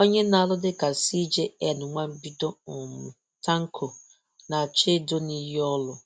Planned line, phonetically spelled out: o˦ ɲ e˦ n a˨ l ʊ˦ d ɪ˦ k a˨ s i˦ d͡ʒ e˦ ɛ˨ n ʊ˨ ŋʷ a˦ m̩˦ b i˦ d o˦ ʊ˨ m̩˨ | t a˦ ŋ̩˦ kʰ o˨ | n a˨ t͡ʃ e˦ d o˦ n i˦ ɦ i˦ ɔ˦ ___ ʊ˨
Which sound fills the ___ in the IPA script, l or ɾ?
l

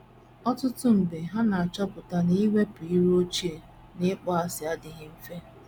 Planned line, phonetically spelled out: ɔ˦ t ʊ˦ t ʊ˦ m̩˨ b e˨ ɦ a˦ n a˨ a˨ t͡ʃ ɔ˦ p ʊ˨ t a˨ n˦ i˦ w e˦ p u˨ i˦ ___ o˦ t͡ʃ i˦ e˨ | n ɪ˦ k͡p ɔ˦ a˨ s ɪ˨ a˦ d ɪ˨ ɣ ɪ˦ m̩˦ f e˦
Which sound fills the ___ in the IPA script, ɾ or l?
ɾ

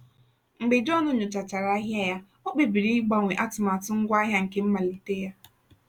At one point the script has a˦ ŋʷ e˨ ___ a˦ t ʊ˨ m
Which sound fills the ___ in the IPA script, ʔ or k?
ʔ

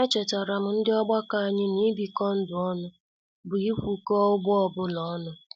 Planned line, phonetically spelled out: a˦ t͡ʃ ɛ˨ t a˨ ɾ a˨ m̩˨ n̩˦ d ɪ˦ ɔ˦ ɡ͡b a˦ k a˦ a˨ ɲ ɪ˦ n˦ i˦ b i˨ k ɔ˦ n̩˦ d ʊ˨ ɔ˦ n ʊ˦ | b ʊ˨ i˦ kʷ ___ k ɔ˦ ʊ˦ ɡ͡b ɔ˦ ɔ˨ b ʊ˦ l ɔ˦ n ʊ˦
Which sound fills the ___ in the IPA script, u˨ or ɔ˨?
u˨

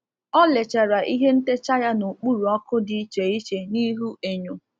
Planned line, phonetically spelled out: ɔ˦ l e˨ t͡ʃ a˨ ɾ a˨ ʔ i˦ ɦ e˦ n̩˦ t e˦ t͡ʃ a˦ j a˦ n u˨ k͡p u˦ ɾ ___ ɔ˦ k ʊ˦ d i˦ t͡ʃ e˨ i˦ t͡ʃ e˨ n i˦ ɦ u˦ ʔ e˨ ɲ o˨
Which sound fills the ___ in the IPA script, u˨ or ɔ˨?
u˨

